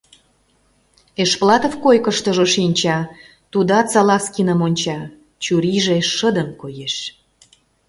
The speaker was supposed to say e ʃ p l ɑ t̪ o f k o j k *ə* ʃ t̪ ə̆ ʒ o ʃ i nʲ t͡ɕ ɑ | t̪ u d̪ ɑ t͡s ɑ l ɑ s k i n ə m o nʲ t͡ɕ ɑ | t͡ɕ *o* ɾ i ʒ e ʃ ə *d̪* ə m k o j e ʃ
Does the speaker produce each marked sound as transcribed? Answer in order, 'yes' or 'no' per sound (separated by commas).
yes, no, yes